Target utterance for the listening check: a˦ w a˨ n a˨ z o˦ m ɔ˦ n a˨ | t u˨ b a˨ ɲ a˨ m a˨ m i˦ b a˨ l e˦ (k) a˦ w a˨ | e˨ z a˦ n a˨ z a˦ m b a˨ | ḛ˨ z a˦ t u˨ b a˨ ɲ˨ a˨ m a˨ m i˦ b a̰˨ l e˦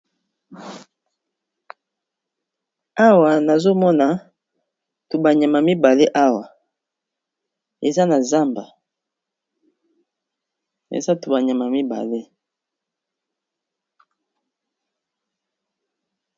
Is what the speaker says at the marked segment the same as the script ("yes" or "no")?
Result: no